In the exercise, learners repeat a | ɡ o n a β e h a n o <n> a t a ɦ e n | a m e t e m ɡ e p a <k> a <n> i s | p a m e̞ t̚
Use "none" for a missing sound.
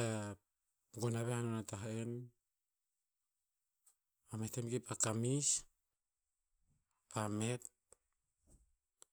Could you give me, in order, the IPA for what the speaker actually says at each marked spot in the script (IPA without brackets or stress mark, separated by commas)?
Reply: n, k, m